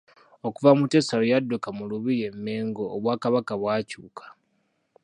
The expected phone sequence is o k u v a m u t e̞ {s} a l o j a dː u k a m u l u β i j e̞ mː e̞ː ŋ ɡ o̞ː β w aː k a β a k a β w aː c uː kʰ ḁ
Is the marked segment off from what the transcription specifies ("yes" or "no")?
no